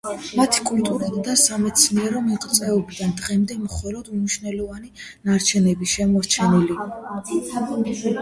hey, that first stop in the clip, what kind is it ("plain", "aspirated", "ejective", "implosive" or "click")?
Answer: aspirated